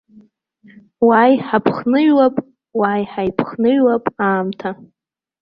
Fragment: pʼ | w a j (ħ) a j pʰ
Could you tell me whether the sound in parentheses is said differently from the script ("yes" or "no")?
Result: no